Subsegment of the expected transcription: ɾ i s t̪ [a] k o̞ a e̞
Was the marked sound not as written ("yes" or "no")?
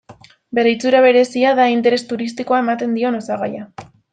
yes